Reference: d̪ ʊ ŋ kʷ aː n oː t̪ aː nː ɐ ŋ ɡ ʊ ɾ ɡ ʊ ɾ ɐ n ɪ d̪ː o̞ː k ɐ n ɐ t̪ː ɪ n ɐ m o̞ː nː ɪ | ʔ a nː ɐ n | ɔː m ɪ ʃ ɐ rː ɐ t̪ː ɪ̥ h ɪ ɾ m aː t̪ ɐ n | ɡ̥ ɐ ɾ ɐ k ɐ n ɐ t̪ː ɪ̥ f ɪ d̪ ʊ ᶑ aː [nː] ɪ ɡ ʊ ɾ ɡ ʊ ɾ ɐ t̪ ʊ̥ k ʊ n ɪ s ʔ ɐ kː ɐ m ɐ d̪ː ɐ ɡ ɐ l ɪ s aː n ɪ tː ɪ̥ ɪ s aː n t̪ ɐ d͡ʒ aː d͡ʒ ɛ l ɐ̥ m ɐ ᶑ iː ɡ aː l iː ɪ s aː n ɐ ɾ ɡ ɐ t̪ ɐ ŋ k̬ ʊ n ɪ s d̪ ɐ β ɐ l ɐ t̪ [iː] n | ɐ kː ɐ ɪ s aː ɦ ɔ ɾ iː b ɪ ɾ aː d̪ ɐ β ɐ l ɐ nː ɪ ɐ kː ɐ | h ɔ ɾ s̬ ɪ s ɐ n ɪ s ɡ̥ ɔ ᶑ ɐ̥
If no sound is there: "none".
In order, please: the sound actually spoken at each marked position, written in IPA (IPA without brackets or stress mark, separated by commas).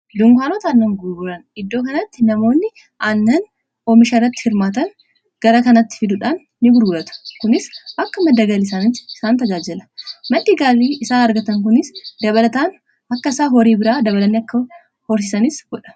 nː, aː